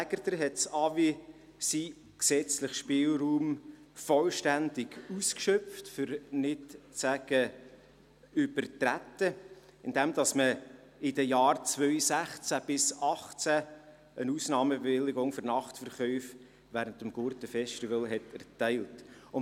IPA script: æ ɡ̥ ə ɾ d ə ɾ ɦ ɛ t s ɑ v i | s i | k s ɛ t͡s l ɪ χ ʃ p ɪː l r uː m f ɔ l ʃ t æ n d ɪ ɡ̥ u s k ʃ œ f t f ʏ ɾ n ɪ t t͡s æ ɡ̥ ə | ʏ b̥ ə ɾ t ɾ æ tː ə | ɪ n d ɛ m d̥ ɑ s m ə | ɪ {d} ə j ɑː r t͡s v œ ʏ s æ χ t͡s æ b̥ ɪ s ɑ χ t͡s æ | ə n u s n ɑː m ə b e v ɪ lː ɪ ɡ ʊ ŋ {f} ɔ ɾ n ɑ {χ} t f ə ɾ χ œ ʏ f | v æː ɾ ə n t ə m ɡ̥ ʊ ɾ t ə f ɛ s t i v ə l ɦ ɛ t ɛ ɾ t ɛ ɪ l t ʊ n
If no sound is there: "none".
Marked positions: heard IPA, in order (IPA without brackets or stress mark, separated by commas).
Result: d, f, χ